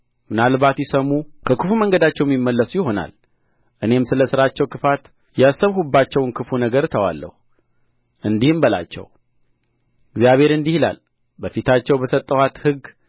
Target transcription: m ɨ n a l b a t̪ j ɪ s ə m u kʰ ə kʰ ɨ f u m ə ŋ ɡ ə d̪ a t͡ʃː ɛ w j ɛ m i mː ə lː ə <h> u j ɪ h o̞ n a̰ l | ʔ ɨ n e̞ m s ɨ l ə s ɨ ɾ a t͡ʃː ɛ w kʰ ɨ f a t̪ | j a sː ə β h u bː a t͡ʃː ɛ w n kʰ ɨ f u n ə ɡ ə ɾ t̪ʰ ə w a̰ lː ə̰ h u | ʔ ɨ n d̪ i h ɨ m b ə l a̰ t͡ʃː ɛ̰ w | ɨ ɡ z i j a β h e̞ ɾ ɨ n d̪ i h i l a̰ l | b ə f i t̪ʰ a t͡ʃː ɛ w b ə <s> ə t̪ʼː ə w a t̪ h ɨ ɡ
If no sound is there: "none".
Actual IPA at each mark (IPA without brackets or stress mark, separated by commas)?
s, s